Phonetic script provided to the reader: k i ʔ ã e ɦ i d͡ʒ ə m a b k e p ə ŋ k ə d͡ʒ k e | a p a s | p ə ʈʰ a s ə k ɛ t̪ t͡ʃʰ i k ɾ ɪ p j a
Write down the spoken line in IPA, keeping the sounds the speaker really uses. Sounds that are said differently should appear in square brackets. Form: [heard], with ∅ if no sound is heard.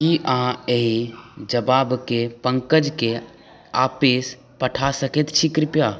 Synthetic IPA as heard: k i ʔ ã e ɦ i d͡ʒ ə [b] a b k e p ə ŋ k ə d͡ʒ k e | a p [e] s | p ə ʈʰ a s ə k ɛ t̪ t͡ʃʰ i k ɾ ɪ p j a